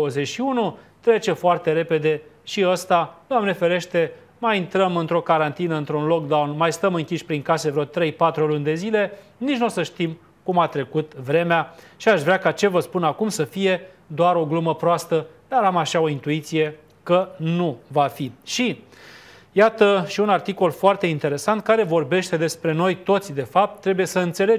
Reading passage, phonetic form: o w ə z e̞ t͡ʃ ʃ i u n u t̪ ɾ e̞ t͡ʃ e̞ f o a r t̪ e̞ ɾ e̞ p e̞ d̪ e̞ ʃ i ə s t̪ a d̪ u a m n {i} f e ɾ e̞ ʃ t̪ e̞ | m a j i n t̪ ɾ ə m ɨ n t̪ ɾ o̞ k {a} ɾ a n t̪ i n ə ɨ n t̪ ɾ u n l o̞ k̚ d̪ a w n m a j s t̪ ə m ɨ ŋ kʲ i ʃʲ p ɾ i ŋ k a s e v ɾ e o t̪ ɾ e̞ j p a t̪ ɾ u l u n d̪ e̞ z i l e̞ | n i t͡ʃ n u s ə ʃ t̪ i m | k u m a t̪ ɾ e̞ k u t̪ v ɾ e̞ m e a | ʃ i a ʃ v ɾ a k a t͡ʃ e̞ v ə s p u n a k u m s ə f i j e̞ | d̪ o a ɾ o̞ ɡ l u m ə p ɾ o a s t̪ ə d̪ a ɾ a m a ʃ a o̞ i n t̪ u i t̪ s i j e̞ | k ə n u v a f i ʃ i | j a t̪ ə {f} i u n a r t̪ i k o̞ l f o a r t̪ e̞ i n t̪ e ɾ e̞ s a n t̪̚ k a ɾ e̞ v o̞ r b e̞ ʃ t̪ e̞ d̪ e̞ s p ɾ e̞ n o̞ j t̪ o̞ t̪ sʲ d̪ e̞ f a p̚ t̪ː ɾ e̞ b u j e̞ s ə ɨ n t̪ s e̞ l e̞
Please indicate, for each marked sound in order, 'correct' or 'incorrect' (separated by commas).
incorrect, correct, incorrect